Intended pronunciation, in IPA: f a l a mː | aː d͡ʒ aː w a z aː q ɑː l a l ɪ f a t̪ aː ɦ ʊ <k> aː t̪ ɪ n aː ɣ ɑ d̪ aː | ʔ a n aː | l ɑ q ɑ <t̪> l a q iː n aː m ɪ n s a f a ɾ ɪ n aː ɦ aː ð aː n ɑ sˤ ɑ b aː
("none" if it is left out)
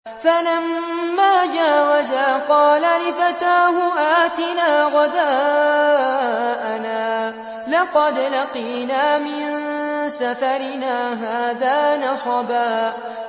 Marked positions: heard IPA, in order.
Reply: ʔ, d̪

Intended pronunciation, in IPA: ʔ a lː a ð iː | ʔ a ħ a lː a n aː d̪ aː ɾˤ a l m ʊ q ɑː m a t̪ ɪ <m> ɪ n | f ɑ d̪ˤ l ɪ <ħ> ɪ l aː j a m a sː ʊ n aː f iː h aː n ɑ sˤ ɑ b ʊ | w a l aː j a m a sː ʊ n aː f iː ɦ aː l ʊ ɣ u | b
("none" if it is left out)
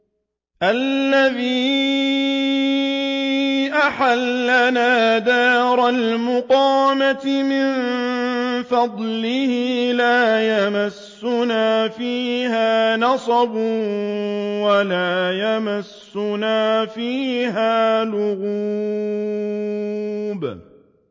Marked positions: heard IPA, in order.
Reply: m, h

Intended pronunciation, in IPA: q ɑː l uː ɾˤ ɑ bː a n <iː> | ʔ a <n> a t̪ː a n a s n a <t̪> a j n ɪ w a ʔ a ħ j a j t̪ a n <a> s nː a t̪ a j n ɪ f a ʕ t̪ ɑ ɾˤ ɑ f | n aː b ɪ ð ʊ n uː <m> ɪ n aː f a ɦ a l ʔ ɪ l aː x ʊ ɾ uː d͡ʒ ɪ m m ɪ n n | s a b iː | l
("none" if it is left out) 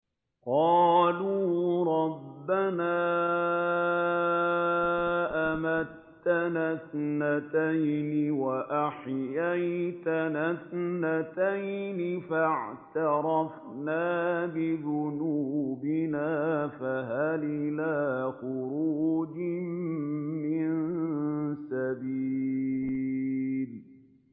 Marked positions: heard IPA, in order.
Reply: aː, m, t̪, a, b

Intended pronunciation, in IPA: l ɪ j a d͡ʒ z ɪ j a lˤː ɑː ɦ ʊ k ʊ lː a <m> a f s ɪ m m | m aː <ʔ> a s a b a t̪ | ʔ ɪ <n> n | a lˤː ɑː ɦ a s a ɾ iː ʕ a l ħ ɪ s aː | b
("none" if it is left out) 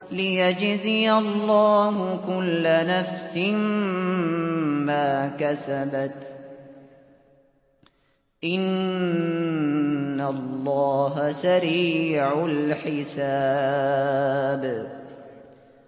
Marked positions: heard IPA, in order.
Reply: n, k, n

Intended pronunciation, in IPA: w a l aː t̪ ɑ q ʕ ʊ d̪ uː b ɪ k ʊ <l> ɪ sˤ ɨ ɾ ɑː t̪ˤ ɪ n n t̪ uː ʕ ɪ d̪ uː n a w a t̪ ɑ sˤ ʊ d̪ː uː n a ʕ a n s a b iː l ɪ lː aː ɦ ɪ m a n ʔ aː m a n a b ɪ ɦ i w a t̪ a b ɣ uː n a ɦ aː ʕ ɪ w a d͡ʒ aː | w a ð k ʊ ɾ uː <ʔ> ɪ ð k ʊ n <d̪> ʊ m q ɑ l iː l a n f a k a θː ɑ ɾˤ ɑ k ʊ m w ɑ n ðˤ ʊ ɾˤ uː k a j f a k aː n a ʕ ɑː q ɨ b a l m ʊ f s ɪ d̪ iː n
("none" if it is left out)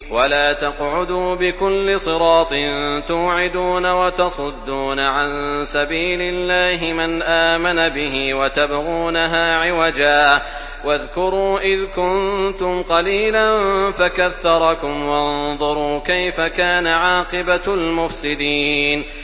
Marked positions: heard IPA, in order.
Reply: lː, ʔ, t̪

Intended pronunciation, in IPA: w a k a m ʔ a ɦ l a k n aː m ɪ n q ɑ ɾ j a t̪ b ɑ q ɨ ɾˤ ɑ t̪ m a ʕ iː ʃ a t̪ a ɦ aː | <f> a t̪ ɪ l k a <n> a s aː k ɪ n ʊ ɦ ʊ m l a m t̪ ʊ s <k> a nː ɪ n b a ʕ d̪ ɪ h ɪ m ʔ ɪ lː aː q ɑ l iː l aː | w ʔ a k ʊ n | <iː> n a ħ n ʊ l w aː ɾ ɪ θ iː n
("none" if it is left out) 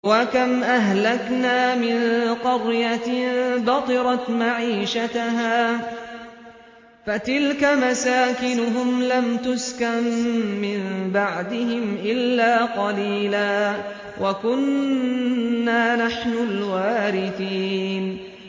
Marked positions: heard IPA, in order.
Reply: f, m, k, aː

